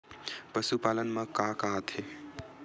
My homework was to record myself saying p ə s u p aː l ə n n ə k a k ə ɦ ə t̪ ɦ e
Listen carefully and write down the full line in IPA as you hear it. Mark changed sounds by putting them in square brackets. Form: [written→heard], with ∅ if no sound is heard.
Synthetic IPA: p ə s u p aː l ə n [n→m] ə k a k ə ɦ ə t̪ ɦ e